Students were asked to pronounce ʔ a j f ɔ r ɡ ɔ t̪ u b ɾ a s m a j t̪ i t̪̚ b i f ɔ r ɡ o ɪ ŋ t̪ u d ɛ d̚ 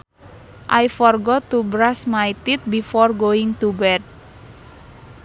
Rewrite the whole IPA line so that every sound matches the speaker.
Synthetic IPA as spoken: ʔ a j f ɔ r ɡ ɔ t̪ u b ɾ a s m a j t̪ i t̪̚ b i f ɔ r ɡ o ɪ ŋ t̪ u b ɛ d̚